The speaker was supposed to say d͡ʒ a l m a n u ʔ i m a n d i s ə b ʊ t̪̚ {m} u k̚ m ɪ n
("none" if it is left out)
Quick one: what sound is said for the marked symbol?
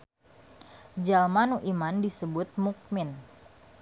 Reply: m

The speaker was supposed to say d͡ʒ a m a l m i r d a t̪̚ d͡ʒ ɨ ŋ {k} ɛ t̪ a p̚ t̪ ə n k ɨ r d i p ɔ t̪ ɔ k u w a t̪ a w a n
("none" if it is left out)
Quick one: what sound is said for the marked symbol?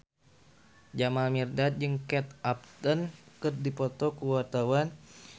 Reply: k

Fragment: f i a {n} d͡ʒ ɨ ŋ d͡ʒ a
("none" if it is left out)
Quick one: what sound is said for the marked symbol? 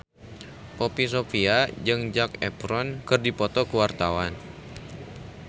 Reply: none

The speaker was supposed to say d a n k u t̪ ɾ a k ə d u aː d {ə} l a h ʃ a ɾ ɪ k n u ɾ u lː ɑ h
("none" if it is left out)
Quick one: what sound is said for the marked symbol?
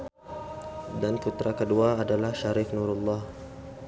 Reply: a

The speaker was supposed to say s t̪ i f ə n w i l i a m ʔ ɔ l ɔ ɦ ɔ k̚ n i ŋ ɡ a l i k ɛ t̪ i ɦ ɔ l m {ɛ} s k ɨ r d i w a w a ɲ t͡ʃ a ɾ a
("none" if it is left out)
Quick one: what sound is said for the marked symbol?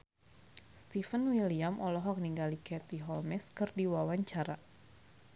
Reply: ɛ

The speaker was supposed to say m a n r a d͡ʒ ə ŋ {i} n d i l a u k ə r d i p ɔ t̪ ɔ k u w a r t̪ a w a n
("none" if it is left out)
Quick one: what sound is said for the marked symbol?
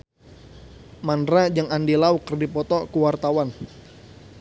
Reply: a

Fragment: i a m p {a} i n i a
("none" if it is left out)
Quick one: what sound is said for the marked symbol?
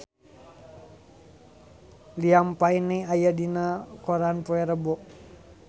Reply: a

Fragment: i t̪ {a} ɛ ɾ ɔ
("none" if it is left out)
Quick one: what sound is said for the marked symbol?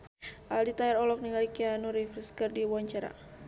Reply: a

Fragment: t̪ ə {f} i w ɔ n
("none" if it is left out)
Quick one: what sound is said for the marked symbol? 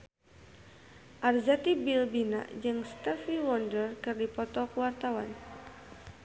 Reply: f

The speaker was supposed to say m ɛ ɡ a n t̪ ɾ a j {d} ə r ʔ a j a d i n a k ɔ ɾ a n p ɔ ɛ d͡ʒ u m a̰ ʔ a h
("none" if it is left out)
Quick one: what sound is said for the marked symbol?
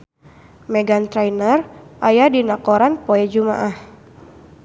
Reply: n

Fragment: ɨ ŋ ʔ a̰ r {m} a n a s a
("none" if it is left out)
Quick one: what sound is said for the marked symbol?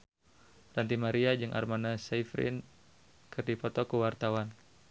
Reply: m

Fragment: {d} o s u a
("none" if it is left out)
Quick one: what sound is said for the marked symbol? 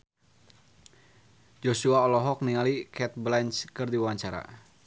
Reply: d͡ʒ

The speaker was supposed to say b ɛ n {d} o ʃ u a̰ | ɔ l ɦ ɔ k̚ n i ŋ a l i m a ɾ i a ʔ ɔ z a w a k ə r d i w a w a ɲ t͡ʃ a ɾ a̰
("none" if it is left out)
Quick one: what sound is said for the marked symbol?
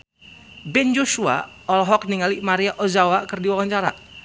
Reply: d͡ʒ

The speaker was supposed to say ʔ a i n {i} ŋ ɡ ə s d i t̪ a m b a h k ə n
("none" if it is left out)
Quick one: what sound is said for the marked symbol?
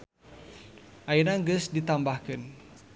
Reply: a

